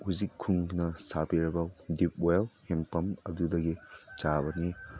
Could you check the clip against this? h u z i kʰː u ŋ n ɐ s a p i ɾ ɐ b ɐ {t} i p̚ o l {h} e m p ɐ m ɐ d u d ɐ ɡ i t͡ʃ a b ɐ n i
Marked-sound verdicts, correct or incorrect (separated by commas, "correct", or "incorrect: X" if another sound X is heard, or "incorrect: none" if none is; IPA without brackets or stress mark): incorrect: d, correct